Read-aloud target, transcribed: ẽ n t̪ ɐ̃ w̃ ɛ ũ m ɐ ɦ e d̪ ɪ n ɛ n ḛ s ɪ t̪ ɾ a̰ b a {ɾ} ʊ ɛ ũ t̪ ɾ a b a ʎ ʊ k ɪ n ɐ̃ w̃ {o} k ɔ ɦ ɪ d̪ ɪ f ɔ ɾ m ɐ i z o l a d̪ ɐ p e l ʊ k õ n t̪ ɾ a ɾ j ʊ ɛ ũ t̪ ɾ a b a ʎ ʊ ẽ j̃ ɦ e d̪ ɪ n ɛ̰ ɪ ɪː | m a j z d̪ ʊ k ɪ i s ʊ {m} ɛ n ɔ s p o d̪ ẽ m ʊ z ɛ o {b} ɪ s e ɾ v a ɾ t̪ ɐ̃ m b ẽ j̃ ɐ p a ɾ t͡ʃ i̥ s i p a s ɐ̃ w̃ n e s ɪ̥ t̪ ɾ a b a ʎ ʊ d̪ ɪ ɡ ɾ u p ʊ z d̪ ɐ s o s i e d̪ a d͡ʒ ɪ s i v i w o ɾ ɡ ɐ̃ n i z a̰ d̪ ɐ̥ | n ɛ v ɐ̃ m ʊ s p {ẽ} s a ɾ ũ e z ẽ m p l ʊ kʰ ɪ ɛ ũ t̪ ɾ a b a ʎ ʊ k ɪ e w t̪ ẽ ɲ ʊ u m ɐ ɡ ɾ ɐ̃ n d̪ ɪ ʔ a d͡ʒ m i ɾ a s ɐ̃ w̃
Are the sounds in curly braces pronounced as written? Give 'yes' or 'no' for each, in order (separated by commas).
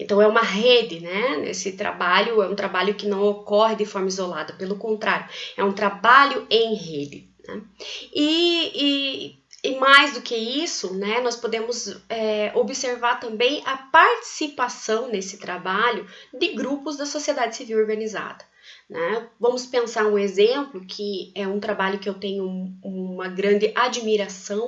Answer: no, yes, no, yes, yes